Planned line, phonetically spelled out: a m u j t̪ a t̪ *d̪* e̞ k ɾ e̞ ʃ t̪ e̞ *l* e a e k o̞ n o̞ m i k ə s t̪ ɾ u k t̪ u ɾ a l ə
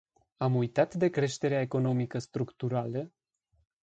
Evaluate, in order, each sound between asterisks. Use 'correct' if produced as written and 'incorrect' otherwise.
correct, incorrect: ɾ

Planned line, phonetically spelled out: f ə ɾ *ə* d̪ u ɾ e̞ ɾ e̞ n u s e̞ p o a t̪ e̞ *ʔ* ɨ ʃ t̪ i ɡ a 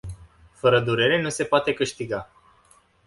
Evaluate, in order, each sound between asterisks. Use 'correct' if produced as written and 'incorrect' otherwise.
correct, incorrect: k

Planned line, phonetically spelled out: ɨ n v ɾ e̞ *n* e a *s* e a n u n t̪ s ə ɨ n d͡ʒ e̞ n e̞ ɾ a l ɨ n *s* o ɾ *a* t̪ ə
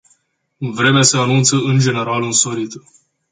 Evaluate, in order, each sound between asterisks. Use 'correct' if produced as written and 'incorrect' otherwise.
incorrect: m, correct, correct, incorrect: i

